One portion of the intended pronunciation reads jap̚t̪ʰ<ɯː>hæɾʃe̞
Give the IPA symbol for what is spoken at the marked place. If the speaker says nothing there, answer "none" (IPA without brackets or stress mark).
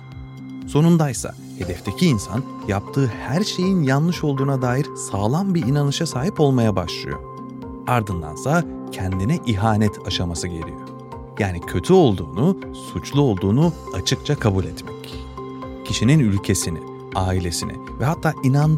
ɯː